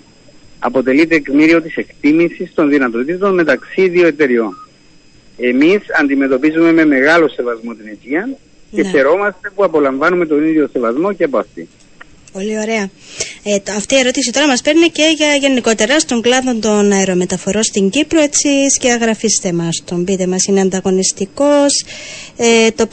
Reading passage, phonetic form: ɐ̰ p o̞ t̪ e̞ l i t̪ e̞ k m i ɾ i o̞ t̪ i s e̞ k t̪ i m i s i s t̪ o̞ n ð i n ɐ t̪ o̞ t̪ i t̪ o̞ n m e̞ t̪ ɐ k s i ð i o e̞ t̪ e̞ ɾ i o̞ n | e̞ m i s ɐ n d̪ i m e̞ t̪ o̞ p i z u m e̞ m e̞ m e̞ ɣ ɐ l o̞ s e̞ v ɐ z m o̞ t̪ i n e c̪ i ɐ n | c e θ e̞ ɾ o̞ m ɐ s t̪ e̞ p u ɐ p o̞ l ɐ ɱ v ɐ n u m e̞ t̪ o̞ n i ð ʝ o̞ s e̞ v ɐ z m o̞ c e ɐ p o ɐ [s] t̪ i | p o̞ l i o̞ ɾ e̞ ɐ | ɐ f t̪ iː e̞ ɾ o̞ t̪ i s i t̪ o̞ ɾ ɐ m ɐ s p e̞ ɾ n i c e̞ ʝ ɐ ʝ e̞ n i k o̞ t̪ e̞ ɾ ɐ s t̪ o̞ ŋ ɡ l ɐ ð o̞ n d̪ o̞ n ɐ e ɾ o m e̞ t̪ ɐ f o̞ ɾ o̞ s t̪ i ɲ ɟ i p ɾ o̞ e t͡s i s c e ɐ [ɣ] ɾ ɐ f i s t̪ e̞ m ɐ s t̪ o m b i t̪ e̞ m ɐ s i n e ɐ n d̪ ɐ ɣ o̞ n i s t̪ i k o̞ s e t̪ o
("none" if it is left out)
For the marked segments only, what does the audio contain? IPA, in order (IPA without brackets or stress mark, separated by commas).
f, ɣ